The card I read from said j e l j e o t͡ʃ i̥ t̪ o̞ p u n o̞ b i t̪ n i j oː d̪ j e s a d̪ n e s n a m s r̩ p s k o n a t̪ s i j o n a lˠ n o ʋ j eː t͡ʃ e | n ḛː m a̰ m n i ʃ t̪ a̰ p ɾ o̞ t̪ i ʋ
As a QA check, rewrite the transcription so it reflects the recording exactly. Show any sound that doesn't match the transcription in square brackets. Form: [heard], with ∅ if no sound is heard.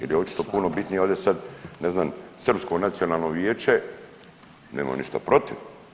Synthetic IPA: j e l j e o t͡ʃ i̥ t̪ o̞ p u n o̞ b i t̪ n i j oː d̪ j e s a d̪ n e [z] n a m s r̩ p s k o n a t̪ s i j o n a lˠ n o ʋ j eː t͡ʃ e | n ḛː m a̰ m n i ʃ t̪ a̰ p ɾ o̞ t̪ i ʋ